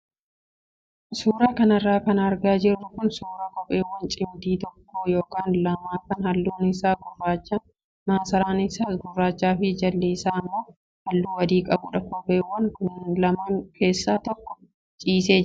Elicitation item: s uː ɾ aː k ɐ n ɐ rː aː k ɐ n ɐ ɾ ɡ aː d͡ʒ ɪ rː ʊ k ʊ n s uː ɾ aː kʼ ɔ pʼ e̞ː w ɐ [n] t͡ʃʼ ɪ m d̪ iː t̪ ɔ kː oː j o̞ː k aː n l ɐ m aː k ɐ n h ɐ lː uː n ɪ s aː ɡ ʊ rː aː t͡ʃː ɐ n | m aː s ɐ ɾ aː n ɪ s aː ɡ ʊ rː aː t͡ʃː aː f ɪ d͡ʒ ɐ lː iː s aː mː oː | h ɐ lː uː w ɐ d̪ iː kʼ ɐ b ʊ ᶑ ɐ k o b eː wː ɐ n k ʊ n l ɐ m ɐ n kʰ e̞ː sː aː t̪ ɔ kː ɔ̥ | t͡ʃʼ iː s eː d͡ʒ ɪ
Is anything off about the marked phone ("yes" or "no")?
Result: no